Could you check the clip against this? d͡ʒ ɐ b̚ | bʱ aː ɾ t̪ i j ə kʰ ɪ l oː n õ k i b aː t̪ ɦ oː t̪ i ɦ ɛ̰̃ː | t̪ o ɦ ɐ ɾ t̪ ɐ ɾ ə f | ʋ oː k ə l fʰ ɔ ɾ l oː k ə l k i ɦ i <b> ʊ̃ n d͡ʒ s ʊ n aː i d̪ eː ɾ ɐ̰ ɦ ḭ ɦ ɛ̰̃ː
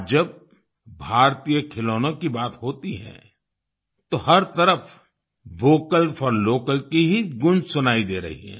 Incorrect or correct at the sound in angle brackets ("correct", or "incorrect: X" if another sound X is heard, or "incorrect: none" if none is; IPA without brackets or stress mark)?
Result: incorrect: ɡ